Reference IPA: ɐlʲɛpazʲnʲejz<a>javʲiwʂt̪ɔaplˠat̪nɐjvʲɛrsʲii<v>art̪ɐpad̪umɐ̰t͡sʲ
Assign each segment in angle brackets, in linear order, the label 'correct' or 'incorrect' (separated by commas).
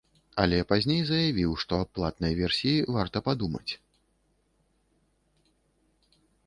incorrect, correct